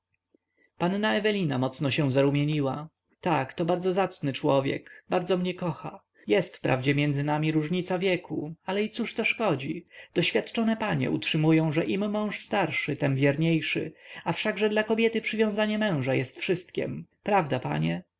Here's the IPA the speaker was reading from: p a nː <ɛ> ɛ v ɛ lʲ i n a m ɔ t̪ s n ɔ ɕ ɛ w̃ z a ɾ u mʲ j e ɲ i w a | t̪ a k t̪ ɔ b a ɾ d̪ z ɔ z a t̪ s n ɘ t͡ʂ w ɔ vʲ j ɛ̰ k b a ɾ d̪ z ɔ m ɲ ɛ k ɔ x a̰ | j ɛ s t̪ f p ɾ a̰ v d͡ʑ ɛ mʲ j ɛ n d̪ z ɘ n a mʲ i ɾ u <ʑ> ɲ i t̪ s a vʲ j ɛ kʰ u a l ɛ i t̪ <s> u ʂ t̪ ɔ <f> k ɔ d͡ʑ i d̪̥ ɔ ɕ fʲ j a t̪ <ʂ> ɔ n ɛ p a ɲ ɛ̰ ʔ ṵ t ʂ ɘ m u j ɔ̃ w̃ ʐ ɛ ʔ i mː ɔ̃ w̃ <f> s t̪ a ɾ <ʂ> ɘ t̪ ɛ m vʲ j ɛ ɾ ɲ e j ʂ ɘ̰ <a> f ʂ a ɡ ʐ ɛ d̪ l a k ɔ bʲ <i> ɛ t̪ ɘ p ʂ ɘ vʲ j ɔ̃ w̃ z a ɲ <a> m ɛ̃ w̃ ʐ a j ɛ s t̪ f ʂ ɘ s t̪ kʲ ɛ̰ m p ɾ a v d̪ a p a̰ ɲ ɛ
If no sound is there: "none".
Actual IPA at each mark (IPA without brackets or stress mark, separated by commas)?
a, ʐ, s, ʂ, t͡ʂ, ʂ, ʂ, a, j, ɛ